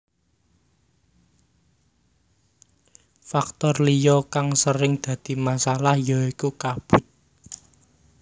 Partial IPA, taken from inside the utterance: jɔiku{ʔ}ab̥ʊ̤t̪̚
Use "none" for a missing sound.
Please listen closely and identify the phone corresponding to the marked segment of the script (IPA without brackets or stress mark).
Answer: k